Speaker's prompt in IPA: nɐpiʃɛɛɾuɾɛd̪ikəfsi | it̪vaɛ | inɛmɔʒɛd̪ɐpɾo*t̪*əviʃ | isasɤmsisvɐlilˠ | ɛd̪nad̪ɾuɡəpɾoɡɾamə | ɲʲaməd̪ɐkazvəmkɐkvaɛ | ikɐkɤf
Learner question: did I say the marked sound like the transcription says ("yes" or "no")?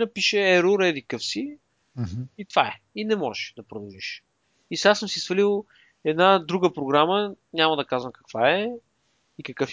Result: no